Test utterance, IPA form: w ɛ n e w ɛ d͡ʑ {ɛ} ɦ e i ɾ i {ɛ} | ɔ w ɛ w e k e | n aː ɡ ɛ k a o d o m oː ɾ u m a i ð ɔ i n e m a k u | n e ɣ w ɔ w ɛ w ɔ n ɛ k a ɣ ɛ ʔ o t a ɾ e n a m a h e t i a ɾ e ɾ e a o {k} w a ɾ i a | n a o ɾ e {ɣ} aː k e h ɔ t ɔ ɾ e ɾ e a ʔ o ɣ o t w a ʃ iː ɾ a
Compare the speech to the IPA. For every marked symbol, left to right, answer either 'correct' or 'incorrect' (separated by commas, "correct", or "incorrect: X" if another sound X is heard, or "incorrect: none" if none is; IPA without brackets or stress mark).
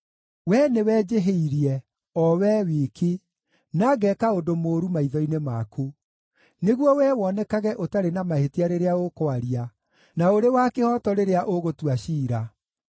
incorrect: e, correct, correct, incorrect: w